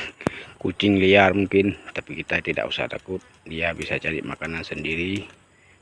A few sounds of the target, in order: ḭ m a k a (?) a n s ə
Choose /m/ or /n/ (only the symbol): n